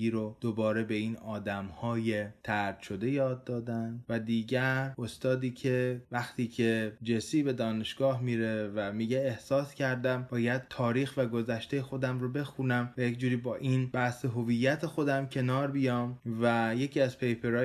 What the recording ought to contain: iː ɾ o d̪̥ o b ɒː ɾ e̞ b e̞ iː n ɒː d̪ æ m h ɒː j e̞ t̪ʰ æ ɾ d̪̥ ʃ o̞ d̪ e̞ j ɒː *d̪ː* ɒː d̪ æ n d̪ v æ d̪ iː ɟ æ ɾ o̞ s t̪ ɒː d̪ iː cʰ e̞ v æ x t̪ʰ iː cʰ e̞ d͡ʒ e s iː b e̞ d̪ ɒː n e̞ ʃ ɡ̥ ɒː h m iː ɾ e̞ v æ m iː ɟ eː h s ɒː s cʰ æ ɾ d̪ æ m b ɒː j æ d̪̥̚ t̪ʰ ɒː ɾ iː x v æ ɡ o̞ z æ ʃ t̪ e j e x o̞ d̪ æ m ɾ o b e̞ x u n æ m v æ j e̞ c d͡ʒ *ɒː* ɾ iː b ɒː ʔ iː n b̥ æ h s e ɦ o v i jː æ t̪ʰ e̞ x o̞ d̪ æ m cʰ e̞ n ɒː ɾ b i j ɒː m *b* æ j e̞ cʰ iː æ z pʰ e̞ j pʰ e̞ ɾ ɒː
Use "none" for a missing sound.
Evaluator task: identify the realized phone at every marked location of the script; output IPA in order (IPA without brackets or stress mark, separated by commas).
d̪ː, uː, v